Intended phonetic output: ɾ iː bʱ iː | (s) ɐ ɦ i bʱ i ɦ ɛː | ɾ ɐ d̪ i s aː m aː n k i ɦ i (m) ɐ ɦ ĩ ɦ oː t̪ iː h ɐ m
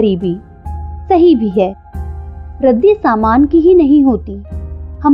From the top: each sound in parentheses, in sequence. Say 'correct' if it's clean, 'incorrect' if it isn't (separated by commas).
correct, incorrect